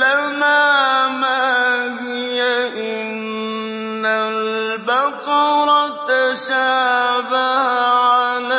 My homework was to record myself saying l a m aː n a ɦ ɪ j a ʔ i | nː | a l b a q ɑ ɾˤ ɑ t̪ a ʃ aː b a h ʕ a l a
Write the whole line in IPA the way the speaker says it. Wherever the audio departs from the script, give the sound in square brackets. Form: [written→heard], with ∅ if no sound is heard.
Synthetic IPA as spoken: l a m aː [n→m] a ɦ ɪ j a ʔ [i→ɪ] | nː | a l b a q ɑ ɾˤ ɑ t̪ a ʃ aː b a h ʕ a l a